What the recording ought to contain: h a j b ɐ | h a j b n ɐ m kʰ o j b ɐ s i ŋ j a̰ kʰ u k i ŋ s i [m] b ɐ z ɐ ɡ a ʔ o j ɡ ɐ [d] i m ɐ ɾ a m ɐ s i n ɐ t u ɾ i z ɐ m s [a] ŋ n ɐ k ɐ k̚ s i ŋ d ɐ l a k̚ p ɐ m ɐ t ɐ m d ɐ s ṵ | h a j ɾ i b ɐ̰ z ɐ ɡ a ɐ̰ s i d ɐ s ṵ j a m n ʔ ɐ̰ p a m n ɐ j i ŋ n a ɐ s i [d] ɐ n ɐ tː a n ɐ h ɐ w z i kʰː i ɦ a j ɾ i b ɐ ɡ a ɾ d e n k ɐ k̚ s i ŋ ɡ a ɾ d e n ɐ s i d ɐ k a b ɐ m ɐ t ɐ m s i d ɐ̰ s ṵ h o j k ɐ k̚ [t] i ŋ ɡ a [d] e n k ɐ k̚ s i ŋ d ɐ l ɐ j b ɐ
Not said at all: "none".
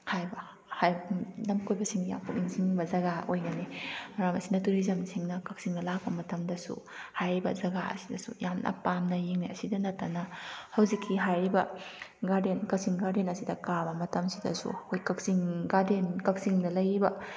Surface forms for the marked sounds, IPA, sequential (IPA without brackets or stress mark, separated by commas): ŋ, n, i, d, s, d